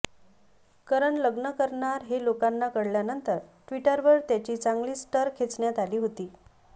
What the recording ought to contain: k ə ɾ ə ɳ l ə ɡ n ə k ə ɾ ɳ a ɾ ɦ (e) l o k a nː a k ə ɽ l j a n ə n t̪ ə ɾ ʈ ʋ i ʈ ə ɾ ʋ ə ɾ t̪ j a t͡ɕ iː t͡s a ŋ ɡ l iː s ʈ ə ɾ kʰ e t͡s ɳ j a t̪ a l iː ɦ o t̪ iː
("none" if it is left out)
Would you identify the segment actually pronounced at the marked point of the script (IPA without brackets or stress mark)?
e